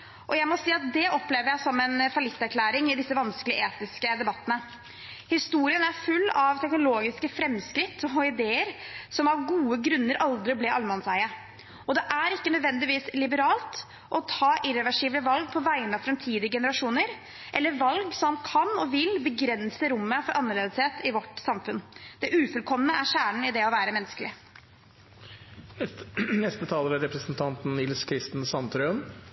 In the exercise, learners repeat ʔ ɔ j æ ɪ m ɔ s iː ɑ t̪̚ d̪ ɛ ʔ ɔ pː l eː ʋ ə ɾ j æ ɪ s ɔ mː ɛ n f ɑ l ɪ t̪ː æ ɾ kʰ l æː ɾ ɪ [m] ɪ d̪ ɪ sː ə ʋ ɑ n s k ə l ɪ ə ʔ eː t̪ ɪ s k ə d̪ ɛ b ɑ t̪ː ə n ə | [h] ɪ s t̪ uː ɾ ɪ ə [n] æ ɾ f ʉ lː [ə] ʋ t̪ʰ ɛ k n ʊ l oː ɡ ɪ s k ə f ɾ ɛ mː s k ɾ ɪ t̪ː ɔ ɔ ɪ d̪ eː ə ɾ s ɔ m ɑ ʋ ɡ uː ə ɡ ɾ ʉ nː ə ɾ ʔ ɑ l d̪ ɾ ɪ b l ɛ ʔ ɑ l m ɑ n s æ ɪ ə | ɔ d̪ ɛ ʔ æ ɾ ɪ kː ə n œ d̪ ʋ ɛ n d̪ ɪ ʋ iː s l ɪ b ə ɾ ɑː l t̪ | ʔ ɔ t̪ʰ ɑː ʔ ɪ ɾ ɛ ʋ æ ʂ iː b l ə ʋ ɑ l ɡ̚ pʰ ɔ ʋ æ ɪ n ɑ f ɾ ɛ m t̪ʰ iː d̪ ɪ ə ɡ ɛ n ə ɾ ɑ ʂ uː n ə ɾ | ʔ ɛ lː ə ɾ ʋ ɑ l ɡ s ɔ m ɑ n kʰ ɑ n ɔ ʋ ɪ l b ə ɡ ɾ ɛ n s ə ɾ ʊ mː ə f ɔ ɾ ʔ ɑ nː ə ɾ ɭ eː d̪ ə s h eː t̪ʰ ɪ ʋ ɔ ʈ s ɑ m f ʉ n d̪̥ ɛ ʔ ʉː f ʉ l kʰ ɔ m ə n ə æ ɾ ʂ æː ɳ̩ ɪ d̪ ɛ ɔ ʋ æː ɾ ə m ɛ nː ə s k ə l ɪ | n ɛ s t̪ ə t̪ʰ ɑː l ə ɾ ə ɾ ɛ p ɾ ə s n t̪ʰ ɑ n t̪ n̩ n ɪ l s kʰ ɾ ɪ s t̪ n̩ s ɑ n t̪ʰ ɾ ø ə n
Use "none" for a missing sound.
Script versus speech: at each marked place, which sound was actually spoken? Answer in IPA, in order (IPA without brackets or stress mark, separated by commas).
ŋ, h, n, ɑ